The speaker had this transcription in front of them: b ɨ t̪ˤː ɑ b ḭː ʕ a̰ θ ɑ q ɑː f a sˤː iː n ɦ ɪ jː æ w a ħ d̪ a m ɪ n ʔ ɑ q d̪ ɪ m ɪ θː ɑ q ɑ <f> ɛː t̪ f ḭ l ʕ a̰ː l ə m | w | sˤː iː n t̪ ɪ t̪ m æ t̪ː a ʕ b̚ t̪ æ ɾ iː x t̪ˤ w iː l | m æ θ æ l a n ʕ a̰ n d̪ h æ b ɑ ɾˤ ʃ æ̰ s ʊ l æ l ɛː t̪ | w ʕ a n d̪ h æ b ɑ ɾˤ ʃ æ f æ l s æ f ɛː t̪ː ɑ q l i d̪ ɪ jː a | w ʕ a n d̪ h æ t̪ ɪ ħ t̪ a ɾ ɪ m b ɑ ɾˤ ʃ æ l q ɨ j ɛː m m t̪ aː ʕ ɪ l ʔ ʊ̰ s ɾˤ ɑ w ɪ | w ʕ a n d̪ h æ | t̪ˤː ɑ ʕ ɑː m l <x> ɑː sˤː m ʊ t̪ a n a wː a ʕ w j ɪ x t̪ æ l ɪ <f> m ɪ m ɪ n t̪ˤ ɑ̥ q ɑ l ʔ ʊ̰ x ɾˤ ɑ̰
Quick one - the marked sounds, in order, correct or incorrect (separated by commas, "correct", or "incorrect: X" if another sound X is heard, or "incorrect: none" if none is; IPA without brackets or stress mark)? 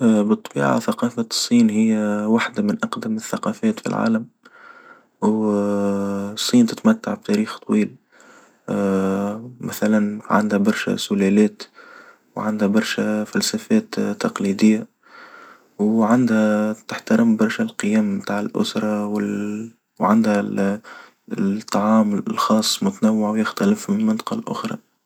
correct, correct, correct